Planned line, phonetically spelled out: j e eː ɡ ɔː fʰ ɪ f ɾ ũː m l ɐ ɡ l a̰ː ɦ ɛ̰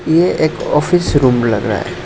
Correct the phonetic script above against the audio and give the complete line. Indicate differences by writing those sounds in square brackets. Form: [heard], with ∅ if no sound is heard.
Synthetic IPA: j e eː [k] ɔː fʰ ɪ [s] ɾ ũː m l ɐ ɡ [ɾ] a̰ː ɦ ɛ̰